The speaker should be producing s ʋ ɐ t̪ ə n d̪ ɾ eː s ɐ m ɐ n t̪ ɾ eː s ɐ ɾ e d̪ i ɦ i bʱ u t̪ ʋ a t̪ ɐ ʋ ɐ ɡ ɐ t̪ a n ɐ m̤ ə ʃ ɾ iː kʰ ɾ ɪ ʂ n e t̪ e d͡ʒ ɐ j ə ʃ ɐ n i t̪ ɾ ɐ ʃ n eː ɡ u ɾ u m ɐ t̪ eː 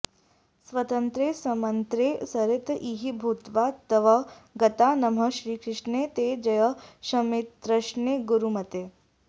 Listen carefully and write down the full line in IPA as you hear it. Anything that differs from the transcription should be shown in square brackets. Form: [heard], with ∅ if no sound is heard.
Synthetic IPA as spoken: s ʋ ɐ t̪ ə n [t̪] ɾ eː s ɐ m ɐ n t̪ ɾ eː s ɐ ɾ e [t̪] i ɦ i bʱ u t̪ ʋ a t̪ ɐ ʋ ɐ ɡ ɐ t̪ a n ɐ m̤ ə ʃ ɾ iː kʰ ɾ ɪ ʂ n e t̪ e d͡ʒ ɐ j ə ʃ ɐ [m] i t̪ ɾ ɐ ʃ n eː ɡ u ɾ u m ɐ t̪ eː